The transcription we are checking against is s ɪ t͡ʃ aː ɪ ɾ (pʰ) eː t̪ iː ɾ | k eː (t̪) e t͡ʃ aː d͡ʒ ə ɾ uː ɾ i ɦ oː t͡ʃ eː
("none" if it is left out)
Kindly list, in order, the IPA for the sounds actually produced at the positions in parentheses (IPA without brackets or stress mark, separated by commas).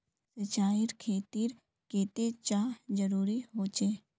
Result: kʰ, t̪